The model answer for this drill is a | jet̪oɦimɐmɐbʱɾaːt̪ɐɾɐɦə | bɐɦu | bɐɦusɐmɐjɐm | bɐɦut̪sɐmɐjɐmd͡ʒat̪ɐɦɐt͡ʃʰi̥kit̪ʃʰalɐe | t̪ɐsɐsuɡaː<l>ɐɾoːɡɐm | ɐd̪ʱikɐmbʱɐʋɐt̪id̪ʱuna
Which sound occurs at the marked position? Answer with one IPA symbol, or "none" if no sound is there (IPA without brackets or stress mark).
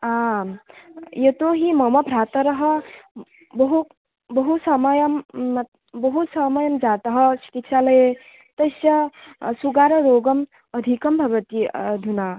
ɾ